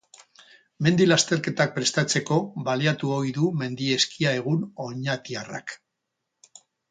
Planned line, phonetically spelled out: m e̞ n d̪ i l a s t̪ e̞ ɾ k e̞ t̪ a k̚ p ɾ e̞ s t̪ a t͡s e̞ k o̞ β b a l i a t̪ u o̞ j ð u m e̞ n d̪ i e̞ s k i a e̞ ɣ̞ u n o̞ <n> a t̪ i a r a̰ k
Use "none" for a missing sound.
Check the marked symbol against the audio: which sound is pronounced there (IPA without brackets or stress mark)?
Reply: ɲ